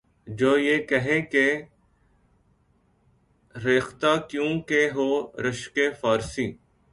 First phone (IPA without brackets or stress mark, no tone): d͡ʒ